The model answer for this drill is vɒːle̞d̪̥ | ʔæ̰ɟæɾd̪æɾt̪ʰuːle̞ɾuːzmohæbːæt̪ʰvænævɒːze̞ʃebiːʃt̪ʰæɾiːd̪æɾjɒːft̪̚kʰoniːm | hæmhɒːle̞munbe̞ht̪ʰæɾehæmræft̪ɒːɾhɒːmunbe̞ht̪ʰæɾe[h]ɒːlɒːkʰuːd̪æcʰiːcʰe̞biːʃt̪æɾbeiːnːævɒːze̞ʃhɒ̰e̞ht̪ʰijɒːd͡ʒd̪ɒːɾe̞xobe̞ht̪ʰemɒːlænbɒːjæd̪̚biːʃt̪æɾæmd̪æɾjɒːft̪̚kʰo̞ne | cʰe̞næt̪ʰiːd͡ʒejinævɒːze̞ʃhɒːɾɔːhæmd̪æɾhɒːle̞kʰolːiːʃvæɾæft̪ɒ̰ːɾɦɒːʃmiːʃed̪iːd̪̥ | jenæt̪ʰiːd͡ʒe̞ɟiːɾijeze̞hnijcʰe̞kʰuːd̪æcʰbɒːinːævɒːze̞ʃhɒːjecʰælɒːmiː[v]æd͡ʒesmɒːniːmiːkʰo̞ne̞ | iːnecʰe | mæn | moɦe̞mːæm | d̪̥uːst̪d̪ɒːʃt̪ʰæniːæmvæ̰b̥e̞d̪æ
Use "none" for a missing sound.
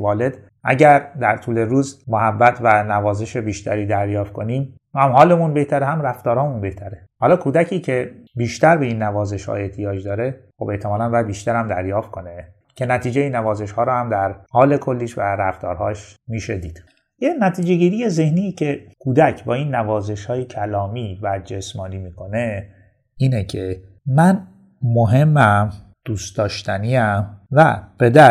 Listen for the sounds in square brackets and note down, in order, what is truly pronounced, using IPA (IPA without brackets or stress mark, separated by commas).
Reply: h, v